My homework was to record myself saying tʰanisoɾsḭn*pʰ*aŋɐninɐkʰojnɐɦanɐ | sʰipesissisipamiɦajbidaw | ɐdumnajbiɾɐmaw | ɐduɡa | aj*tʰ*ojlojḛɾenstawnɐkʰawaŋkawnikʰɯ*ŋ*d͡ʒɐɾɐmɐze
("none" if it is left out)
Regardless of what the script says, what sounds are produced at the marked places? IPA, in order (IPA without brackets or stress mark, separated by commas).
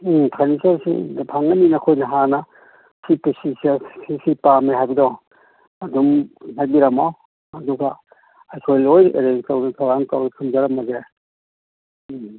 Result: pʰ, kʰ, m